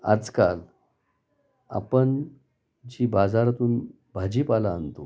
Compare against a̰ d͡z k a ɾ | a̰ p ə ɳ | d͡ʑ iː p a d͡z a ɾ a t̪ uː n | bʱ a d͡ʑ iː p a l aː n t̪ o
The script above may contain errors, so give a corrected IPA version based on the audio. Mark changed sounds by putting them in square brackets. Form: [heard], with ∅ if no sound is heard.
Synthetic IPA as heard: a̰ d͡z k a [l] | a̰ p ə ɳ | d͡ʑ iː [b] a d͡z a ɾ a t̪ uː n | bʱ a d͡ʑ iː p a l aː n t̪ o